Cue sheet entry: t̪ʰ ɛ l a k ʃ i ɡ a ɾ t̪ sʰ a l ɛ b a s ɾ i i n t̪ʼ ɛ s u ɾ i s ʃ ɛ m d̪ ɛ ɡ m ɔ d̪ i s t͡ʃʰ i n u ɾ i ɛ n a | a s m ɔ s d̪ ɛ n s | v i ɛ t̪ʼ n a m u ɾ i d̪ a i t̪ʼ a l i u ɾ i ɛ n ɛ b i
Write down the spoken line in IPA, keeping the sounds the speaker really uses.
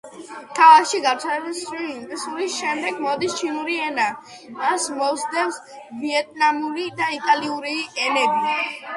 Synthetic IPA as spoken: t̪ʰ a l a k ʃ i ɡ a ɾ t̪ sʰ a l ɛ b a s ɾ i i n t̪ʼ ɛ s u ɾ i s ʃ ɛ m d̪ ɛ ɡ m ɔ d̪ i s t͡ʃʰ i n u ɾ i ɛ n a | a s m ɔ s d̪ ɛ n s | v i ɛ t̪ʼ n a m u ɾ i d̪ a i t̪ʼ a l i u ɾ i ɛ n ɛ b i